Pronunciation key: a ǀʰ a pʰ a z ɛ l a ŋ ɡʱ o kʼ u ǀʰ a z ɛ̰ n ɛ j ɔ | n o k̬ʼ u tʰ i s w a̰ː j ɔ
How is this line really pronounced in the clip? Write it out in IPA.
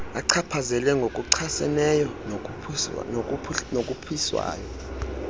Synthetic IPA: a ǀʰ a pʰ a z ɛ l ɛ ŋ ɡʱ o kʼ u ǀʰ a s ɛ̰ n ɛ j ɔ | n o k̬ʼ u pʰ i s w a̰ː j ɔ